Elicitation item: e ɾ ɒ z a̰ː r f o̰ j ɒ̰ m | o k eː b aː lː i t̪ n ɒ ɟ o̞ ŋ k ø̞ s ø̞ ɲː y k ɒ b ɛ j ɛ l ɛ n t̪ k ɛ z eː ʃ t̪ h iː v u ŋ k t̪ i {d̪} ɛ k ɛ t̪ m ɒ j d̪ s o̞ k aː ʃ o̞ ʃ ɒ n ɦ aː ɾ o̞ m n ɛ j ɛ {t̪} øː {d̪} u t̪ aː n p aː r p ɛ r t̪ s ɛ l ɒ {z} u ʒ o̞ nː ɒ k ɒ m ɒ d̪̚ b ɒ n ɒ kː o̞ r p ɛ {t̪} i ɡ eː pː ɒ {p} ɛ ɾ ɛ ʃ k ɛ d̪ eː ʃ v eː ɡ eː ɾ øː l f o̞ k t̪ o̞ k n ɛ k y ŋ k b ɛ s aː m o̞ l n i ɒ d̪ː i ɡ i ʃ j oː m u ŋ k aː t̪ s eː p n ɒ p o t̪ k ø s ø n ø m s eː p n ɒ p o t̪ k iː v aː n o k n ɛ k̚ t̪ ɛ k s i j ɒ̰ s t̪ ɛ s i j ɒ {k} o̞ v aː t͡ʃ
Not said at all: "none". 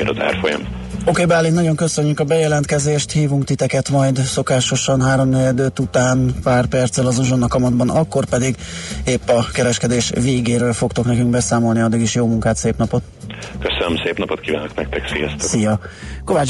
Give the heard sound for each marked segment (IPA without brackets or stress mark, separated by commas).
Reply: t̪, d̪, t̪, z, d̪, k, k